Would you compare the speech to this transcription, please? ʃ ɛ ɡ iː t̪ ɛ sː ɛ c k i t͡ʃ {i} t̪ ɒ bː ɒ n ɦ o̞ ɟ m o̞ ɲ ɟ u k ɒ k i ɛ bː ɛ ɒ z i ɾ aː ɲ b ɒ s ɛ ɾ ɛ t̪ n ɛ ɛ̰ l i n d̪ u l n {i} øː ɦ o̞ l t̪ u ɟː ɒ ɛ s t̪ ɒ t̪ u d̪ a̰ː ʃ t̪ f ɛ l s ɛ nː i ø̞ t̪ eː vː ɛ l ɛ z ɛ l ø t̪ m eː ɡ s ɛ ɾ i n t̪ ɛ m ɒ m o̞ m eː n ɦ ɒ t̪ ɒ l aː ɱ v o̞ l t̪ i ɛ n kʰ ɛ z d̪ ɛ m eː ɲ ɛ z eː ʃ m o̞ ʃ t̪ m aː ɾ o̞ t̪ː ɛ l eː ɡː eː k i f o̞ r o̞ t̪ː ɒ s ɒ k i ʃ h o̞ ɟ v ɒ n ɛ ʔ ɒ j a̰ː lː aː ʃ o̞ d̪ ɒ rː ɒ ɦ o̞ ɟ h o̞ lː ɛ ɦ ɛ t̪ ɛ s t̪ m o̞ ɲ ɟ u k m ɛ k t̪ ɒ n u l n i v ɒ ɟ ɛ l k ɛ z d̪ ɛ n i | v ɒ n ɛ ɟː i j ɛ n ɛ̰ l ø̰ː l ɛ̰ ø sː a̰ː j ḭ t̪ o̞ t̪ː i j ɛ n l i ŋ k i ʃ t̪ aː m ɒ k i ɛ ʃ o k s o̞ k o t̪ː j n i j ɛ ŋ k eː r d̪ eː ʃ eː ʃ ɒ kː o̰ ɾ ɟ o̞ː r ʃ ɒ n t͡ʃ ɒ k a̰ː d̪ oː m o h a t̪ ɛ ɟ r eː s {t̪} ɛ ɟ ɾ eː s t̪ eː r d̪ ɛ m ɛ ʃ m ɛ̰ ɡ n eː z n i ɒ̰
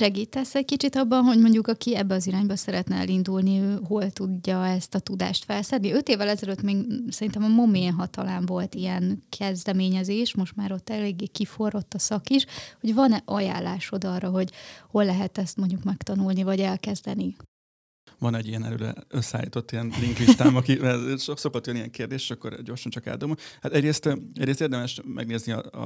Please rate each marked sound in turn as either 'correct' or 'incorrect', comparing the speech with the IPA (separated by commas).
correct, correct, correct